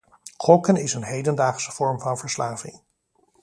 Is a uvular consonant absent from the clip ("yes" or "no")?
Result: no